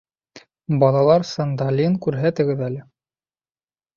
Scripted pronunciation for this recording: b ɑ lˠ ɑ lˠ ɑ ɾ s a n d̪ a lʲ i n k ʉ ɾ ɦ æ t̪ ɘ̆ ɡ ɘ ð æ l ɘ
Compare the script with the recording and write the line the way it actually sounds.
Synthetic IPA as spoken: b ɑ lˠ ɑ lˠ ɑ ɾ s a n d̪ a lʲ i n k ʉ ɾ ɦ æ t̪ ɘ̆ ɡ ɘ ð æ l ɘ